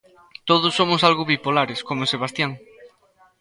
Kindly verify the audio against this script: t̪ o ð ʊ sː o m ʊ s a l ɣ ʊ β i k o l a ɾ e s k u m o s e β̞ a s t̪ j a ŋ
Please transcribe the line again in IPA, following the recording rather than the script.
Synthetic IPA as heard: t̪ o ð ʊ sː o m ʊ s a l ɣ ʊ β i p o l a ɾ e s k o m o s e β̞ a s t̪ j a ŋ